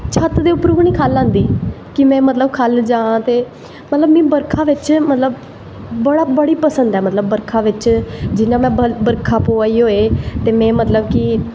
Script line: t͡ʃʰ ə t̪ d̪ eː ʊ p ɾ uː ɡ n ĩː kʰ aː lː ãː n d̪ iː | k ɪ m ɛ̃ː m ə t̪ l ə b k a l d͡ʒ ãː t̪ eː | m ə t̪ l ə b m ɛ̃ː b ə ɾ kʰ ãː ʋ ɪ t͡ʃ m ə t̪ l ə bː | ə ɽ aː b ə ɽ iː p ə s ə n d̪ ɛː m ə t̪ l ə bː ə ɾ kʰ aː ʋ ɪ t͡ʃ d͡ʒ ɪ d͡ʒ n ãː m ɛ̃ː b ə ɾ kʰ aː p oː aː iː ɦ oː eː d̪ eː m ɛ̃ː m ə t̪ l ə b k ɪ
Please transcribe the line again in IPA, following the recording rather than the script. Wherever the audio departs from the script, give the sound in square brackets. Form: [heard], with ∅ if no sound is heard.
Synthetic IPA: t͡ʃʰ ə t̪ d̪ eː ʊ p ɾ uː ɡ n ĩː kʰ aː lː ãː n d̪ iː | k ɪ m ɛ̃ː m ə t̪ l ə b [kʰ] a l d͡ʒ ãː t̪ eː | m ə t̪ l ə b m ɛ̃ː b ə ɾ kʰ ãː ʋ ɪ t͡ʃ m ə t̪ l ə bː | ə ɽ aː b ə ɽ iː p ə s ə n d̪ ɛː m ə t̪ l ə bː ə ɾ kʰ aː ʋ ɪ t͡ʃ d͡ʒ ɪ [∅] n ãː m ɛ̃ː b ə ɾ kʰ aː p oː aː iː ɦ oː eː [t̪] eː m ɛ̃ː m ə t̪ l ə b k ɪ